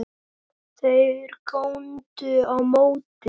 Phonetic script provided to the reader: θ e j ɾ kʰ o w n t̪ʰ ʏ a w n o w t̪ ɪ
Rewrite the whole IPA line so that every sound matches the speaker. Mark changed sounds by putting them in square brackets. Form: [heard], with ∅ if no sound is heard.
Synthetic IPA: θ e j ɾ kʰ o w n [t̪] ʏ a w [m] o w t̪ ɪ